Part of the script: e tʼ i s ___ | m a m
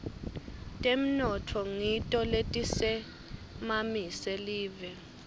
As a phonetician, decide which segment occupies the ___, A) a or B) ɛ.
B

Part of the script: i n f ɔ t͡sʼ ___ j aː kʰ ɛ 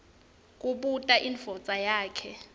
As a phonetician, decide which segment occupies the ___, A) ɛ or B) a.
B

